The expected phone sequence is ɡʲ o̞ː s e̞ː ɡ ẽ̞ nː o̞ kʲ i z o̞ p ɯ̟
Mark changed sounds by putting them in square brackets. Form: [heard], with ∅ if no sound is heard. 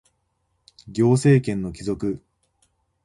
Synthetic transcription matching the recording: ɡʲ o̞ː s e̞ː [k] ẽ̞ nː o̞ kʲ i z o̞ [k] ɯ̟